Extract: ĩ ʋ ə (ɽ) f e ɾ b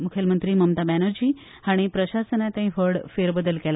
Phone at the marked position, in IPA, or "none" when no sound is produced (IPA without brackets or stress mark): ɽ